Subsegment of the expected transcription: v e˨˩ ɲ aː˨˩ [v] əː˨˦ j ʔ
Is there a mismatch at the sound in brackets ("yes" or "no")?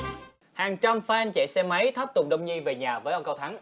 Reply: no